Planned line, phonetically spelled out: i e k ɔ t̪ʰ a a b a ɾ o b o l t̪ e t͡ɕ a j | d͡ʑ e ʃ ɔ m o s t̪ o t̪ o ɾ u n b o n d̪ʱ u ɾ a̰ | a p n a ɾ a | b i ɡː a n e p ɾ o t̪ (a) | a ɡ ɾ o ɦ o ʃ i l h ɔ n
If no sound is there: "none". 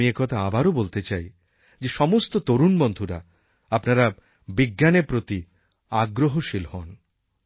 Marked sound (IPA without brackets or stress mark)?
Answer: i